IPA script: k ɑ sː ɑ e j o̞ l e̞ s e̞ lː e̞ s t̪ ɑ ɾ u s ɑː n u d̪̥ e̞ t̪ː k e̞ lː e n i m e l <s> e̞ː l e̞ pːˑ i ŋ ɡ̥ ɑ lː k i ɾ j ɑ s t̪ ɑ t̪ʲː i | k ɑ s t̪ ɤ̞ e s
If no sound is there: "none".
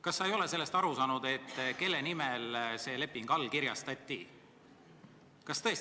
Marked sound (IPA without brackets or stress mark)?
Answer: s